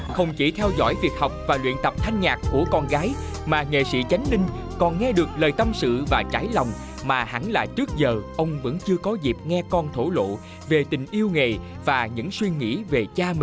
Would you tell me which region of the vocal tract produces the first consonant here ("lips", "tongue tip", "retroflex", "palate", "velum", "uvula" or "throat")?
velum